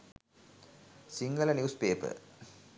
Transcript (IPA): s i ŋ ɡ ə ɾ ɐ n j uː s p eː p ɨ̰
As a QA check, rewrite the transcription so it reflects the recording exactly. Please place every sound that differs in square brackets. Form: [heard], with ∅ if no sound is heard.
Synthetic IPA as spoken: s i ŋ ɡ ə [l] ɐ n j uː s p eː p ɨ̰